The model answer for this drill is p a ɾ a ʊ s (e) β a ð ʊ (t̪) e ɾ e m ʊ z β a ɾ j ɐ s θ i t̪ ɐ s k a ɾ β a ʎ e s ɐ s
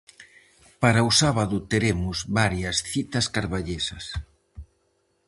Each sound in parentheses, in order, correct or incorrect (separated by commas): incorrect, correct